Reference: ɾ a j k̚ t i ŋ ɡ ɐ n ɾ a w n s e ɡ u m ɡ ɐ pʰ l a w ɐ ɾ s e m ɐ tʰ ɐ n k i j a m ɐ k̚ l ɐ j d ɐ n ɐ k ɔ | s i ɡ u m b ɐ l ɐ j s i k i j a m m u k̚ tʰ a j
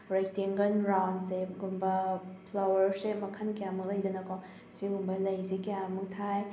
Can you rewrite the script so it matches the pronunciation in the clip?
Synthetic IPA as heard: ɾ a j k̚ t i ŋ ɡ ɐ n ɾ a w n s e ɡ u m b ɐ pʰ l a w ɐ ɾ s e m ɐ kʰ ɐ n k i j a m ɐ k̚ l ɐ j d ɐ n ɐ k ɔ | s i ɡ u m b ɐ l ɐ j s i k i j a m m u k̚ tʰ a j